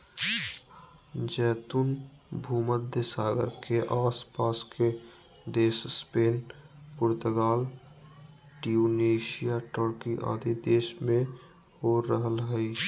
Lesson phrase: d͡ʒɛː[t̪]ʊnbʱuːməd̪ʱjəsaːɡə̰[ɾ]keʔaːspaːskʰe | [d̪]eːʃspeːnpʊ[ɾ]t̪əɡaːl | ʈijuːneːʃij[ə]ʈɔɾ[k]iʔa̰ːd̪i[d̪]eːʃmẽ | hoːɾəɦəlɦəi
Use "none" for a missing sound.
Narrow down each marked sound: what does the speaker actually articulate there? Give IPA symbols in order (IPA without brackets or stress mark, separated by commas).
t̪, ɾ, d̪, ɾ, a, k, d̪